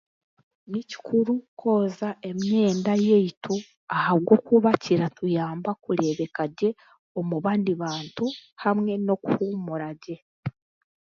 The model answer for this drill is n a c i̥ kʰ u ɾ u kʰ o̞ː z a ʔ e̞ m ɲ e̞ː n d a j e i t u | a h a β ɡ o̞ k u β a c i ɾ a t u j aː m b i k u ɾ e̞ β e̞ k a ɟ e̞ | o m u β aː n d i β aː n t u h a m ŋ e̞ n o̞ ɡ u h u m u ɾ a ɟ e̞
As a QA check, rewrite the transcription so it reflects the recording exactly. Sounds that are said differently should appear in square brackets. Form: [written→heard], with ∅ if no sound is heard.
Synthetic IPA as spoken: n [a→i] c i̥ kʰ u ɾ u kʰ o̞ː z a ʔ e̞ m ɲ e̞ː n d a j e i t u | a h a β ɡ o̞ k u β a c i ɾ a t u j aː m b [i→a] k u ɾ e̞ β e̞ k a ɟ e̞ | o m u β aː n d i β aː n t u h a m ŋ e̞ n o̞ [ɡ→k] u h u m u ɾ a ɟ e̞